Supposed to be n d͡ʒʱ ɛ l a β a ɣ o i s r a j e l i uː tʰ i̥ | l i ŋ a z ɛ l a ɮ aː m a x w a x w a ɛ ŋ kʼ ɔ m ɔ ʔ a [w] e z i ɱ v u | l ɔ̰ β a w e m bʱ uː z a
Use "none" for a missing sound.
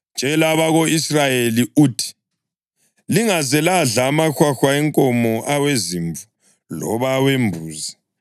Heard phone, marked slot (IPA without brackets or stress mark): w